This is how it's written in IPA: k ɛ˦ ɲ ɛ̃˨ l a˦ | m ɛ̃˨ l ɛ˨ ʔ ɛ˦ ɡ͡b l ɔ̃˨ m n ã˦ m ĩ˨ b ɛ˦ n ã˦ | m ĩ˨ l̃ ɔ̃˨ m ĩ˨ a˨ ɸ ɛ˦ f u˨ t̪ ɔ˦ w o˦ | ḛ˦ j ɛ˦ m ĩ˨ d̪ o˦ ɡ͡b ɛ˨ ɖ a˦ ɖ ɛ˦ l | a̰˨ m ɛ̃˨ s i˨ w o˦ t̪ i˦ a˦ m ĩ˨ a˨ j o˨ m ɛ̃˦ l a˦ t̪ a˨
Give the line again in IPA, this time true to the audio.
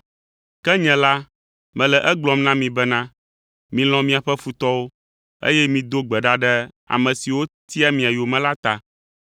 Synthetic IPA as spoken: k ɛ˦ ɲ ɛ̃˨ l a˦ | m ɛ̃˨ l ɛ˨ ʔ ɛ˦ ɡ͡b l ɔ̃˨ m n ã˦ m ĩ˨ b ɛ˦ n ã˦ | m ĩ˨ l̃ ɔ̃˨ m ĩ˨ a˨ ɸ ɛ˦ f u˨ t̪ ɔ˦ w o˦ | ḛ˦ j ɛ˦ m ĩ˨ d̪ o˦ ɡ͡b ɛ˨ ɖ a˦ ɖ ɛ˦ | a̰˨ m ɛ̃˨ s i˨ w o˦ t̪ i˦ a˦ m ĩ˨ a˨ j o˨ m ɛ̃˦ l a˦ t̪ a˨

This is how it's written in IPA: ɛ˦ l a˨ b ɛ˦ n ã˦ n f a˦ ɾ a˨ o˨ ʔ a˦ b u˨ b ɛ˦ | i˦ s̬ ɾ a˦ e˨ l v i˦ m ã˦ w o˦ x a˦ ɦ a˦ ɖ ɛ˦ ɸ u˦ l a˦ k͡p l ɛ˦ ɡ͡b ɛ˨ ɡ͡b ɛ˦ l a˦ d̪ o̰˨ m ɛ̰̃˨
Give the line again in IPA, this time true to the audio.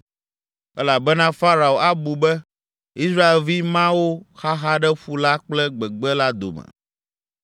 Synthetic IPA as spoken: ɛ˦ l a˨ b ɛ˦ n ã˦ f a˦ ɾ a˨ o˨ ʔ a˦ b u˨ b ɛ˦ | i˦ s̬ ɾ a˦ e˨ l v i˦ m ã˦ w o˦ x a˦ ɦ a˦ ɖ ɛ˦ ɸ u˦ l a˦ k͡p l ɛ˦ ɡ͡b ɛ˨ ɡ͡b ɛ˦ l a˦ d̪ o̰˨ m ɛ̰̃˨

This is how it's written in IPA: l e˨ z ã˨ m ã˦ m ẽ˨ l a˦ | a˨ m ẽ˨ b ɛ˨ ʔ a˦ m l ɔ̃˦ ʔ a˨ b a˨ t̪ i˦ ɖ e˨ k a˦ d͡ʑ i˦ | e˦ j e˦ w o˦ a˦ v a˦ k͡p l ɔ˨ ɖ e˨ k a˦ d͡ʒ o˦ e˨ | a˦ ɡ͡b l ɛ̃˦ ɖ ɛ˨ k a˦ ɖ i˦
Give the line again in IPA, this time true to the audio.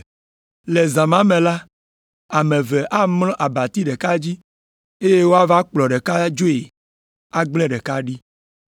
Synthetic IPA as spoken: l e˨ z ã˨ m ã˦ m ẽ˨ l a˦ | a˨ m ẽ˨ v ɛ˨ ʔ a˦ m l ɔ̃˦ ʔ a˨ b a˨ t̪ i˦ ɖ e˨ k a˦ d͡ʑ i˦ | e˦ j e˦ w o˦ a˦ v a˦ k͡p l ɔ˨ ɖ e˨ k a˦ d͡ʒ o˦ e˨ | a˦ ɡ͡b l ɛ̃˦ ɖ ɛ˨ k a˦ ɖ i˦

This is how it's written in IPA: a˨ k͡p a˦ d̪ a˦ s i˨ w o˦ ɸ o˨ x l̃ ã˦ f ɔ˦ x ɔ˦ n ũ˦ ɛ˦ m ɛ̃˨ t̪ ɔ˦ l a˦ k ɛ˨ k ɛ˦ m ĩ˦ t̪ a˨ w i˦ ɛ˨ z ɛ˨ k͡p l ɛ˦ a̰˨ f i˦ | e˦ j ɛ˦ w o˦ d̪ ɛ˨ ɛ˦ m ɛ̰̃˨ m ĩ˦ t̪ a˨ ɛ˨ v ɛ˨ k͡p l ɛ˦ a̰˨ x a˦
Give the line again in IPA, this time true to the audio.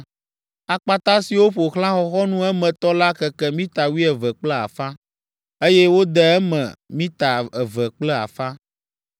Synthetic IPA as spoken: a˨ k͡p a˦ t̪ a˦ s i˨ w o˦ ɸ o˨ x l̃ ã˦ x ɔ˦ x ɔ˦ n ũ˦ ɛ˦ m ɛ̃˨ t̪ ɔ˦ l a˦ k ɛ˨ k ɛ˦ m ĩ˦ t̪ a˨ w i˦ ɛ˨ v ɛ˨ k͡p l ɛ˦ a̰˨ f a˦ | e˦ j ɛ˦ w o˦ d̪ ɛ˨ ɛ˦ m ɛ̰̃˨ m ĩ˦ t̪ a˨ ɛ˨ v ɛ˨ k͡p l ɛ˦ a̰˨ f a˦

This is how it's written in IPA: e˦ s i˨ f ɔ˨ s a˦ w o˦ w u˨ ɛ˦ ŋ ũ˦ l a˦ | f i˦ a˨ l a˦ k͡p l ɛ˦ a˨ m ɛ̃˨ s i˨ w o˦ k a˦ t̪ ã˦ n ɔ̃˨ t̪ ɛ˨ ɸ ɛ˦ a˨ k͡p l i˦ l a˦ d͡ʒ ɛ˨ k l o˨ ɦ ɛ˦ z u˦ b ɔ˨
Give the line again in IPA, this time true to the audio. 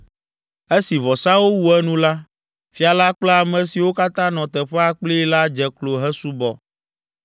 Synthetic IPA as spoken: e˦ s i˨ v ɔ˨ s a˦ w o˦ w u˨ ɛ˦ n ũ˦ l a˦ | f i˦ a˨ l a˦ k͡p l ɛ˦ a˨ m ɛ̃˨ s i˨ w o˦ k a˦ t̪ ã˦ n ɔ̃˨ t̪ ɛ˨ ɸ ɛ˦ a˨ k͡p l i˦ l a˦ d͡ʒ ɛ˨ k l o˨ ɦ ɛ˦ s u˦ b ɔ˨

